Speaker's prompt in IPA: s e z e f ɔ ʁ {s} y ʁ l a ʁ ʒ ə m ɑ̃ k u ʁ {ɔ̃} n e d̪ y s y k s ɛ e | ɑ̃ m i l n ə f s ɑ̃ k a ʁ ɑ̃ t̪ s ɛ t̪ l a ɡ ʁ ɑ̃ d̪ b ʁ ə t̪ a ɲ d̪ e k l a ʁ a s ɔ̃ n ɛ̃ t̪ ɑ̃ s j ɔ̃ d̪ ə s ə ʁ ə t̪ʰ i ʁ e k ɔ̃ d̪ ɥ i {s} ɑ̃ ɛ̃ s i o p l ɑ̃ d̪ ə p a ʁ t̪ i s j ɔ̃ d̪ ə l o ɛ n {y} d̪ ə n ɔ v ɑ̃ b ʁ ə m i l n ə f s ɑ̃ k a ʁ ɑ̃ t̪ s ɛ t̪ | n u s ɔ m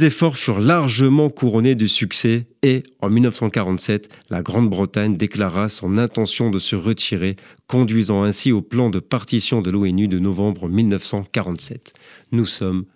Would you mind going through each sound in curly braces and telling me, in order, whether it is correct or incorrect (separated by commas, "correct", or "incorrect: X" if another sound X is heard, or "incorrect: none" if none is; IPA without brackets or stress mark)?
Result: incorrect: f, incorrect: ɔ, incorrect: z, correct